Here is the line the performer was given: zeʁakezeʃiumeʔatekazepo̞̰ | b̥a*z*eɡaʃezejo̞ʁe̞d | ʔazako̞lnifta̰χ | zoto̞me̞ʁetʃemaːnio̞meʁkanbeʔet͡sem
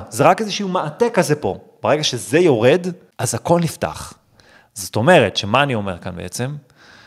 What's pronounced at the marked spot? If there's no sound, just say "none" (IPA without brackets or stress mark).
ʁ